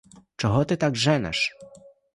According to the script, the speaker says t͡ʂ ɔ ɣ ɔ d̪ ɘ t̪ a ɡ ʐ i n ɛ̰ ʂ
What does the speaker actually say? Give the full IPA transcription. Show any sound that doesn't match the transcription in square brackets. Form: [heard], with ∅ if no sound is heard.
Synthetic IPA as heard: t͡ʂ ɔ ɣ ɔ [t̪] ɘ t̪ a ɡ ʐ [ɛ] n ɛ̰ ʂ

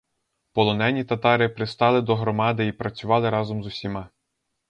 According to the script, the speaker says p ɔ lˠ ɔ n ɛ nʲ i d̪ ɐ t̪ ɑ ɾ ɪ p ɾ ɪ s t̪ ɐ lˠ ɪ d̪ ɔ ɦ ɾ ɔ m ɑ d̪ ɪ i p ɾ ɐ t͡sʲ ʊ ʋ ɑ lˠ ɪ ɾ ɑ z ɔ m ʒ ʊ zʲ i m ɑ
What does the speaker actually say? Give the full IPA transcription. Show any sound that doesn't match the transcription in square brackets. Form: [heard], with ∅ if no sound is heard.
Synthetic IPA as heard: p ɔ lˠ ɔ n ɛ nʲ i [t̪] ɐ t̪ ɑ ɾ ɪ p ɾ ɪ s t̪ [ɑ] lˠ ɪ d̪ ɔ ɦ ɾ ɔ m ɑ d̪ ɪ i p ɾ ɐ t͡sʲ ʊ ʋ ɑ lˠ ɪ ɾ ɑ z ɔ m [z] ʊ [sʲ] i m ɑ

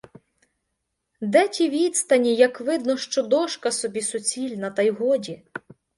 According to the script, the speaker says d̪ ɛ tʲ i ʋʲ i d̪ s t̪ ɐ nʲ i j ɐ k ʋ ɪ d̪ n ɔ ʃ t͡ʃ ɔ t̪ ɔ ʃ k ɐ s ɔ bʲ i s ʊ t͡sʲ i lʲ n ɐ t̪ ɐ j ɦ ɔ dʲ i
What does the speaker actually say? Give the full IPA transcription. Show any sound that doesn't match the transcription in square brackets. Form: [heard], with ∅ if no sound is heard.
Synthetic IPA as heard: d̪ ɛ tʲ i ʋʲ i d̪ s t̪ ɐ nʲ i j ɐ k ʋ ɪ d̪ n ɔ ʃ t͡ʃ ɔ [d̪] ɔ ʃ k ɐ s ɔ bʲ i s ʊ t͡sʲ i lʲ n ɐ t̪ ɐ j ɦ ɔ dʲ i

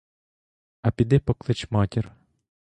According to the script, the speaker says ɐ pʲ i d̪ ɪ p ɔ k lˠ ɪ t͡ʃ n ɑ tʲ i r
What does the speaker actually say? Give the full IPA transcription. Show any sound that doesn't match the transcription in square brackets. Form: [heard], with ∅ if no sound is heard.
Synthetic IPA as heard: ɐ pʲ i d̪ ɪ p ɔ k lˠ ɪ t͡ʃ [m] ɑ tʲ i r

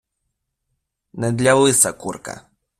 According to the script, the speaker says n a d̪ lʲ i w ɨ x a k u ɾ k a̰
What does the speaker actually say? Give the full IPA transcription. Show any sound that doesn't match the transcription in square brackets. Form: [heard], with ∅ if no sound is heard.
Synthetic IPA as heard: n [ɛ] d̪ lʲ [a] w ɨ [s] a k u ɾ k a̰

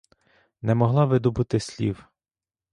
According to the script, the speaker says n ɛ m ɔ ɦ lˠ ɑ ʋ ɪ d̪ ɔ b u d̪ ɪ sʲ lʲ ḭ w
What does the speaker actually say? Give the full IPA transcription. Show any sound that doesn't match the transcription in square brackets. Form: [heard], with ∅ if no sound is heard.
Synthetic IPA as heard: n ɛ m ɔ ɦ lˠ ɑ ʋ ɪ d̪ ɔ b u [t̪] ɪ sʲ lʲ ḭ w

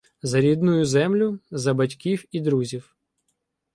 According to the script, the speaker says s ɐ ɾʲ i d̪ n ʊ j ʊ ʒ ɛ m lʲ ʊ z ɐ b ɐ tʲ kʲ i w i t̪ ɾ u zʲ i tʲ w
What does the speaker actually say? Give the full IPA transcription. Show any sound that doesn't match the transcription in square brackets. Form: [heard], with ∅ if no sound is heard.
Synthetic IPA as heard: [z] ɐ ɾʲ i d̪ n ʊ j ʊ [z] ɛ m lʲ ʊ z ɐ b ɐ tʲ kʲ i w i [d̪] ɾ u zʲ i [∅] w

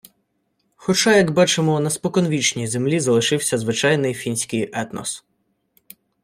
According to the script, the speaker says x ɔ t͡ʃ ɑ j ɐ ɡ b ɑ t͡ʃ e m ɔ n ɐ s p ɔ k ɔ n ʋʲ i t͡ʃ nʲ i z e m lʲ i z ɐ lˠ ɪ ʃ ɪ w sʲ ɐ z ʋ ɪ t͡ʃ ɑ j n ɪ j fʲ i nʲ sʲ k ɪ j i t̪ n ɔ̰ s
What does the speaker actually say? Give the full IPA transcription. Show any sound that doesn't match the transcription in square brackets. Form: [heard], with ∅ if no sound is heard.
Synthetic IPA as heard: x ɔ t͡ʃ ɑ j ɐ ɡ b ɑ t͡ʃ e m ɔ n ɐ s p ɔ k ɔ n ʋʲ i t͡ʃ nʲ i z e m lʲ i z ɐ lˠ ɪ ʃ ɪ w sʲ ɐ z ʋ ɪ t͡ʃ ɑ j n ɪ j fʲ i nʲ sʲ k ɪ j [ɛ] t̪ n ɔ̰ s

